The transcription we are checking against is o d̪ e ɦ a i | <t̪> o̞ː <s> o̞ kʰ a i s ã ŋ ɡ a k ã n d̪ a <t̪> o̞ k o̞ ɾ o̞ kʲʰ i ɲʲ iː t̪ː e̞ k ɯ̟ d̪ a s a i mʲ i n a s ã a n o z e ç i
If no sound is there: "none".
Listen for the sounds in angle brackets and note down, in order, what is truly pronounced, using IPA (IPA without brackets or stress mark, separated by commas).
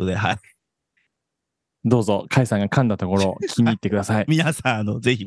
d̪, z, t̪